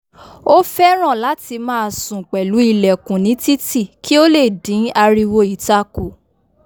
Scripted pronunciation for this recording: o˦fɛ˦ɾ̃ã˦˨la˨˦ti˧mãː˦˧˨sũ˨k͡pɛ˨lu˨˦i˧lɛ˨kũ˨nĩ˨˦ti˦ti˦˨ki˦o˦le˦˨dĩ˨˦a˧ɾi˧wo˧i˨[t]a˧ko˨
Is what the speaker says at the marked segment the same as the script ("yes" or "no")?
yes